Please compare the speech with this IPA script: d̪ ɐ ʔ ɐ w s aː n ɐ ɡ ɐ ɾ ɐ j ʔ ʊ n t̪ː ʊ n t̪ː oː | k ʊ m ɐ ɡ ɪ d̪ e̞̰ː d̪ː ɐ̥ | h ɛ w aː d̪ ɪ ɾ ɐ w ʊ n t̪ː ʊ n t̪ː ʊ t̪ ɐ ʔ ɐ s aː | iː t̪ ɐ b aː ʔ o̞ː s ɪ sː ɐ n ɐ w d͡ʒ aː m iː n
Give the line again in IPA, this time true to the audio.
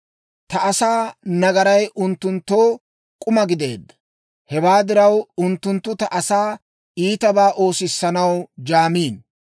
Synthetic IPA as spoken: t̪ ɐ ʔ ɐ s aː n ɐ ɡ ɐ ɾ ɐ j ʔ ʊ n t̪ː ʊ n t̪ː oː | kʼ ʊ m ɐ ɡ ɪ d̪ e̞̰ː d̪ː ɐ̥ | h ɛ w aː d̪ ɪ ɾ ɐ w ʊ n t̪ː ʊ n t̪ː ʊ t̪ ɐ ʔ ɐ s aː | iː t̪ ɐ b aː ʔ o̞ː s ɪ sː ɐ n ɐ w d͡ʒ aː m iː n